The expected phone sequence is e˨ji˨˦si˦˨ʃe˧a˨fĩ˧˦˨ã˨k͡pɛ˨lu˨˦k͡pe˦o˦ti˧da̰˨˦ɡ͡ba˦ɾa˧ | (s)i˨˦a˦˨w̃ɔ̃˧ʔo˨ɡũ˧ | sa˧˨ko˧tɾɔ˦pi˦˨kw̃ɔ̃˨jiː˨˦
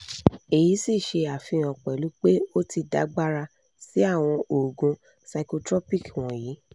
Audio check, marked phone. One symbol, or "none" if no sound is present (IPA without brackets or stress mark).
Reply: s